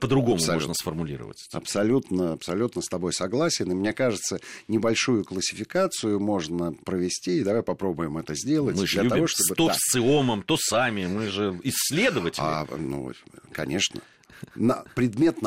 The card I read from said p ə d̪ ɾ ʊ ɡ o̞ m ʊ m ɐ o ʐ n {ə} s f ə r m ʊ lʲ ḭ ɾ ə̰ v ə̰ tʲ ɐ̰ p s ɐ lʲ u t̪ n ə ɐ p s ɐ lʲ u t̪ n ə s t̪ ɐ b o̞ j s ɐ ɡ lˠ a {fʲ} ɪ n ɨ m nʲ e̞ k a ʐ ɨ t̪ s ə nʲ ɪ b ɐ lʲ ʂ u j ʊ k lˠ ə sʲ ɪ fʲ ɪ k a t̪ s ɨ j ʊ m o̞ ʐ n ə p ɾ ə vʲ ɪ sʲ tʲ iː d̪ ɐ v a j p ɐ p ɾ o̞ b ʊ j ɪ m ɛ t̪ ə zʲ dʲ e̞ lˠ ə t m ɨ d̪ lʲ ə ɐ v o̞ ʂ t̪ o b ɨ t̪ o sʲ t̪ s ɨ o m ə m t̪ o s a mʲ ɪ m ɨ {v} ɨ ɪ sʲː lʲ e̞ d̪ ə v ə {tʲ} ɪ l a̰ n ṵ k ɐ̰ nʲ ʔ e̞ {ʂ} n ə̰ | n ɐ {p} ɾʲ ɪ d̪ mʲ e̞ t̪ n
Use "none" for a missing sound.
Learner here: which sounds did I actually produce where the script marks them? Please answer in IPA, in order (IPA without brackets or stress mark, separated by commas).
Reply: ə, sʲ, ʐ, tʲ, ʂ, p